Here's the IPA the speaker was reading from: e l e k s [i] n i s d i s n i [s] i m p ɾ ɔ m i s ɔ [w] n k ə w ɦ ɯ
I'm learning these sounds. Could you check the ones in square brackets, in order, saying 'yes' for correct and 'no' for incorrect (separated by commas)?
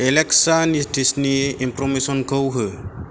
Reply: no, no, no